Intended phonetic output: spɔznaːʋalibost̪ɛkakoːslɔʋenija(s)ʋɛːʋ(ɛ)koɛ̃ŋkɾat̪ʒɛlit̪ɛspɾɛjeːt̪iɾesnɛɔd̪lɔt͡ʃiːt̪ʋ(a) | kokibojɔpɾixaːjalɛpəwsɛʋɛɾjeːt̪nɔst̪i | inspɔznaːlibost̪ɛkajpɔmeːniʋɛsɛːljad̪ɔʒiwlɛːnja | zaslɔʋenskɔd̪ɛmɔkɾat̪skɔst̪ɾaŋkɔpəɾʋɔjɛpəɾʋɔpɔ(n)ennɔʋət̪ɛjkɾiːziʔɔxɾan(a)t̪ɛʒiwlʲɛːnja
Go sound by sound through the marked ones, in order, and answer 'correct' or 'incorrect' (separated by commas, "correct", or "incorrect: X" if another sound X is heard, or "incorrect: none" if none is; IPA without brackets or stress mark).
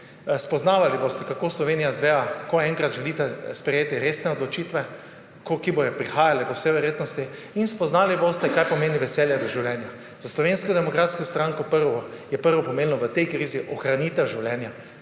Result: incorrect: z, incorrect: a, incorrect: ɛ, incorrect: m, incorrect: i